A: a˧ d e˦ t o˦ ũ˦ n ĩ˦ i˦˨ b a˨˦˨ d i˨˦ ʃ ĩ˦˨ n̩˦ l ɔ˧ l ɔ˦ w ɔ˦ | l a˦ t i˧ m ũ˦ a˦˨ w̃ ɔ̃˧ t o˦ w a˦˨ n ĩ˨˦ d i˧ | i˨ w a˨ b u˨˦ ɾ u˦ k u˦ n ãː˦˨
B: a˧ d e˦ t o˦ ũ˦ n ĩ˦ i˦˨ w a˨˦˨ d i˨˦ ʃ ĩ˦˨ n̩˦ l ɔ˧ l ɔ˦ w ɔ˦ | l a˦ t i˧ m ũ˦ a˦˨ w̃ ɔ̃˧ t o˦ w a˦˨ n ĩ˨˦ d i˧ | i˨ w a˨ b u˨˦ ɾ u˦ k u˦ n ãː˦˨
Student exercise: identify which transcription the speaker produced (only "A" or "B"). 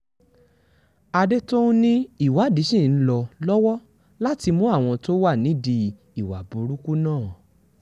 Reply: B